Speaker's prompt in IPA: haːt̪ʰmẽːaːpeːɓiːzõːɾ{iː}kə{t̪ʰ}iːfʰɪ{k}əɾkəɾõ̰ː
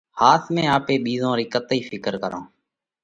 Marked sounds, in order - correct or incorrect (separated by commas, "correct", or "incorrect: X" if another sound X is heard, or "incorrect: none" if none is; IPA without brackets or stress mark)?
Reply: correct, incorrect: t̪, correct